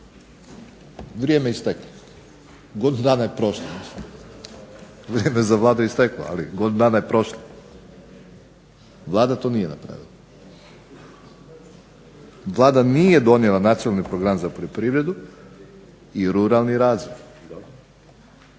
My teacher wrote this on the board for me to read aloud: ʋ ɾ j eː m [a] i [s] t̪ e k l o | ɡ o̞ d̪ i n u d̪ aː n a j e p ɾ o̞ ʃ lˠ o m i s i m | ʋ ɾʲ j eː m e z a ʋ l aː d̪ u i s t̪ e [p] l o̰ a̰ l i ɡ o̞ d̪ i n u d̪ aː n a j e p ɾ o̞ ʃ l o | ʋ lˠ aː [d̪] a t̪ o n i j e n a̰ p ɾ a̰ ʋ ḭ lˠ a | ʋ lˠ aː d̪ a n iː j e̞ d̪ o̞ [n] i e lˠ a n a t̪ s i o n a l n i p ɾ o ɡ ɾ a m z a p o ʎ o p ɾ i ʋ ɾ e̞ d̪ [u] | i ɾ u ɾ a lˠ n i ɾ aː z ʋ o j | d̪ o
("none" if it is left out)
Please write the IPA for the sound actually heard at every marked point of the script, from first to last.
e, s, k, d̪, n, u

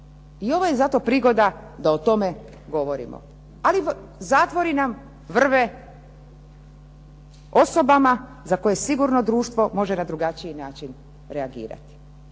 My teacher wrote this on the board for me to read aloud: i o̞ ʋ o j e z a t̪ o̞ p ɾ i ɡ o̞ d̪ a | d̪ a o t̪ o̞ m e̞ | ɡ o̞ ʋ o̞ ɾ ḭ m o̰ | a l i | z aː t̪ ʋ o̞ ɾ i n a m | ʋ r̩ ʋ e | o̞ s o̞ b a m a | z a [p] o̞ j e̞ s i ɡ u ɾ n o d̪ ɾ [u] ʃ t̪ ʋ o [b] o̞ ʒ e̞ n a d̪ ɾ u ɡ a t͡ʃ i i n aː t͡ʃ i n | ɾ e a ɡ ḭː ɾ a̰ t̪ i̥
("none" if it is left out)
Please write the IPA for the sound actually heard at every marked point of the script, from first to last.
k, uː, m

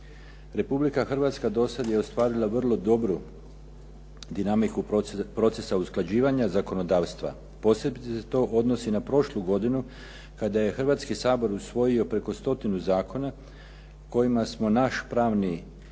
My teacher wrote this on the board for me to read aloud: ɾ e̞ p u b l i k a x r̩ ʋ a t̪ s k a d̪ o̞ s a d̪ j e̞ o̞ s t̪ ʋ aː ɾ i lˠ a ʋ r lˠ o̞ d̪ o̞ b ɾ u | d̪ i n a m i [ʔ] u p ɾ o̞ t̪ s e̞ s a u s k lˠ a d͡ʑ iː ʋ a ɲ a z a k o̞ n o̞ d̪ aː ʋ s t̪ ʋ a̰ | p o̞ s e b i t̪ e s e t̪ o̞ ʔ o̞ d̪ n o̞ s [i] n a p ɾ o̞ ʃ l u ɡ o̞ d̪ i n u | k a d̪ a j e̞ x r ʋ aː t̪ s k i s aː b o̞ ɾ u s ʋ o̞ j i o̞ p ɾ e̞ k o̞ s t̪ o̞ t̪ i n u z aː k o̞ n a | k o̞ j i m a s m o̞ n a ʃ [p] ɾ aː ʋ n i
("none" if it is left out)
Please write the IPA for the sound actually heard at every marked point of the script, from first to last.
k, i, p

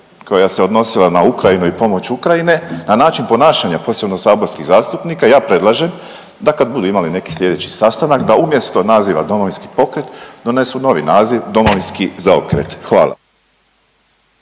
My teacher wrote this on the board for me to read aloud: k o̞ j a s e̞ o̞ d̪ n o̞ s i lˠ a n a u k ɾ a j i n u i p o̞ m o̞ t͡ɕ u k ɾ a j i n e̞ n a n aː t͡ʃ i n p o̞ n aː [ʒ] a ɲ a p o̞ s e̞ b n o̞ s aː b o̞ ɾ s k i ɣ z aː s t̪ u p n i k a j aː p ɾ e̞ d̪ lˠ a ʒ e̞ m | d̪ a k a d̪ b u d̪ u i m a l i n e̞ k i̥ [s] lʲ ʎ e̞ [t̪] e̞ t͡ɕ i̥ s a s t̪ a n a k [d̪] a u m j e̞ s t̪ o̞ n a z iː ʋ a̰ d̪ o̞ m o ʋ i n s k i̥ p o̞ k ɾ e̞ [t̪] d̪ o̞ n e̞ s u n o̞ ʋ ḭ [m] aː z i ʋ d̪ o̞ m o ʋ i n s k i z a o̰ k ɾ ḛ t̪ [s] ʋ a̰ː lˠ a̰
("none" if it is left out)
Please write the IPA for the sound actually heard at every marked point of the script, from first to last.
ʃ, s, d̪, d̪, t̪, n, x

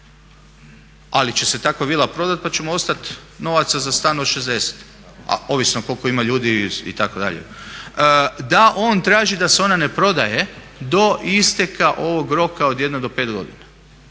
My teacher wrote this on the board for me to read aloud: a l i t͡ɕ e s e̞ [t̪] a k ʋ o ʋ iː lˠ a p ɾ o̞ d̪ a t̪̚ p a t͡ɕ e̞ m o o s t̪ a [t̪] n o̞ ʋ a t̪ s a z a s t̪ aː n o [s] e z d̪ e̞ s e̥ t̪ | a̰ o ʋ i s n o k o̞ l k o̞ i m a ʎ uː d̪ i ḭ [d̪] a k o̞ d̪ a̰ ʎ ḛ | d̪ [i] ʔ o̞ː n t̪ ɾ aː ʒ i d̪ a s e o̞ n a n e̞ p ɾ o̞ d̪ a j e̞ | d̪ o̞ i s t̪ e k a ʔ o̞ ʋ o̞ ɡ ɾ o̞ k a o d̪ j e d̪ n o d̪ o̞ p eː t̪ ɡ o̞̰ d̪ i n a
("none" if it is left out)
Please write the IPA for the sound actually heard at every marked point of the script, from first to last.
t̪, t̪, ʃ, t̪, a

